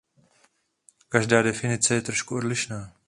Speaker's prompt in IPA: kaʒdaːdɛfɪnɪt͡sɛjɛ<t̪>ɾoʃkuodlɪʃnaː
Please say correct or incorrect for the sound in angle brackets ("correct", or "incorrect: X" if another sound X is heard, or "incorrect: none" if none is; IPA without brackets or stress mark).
correct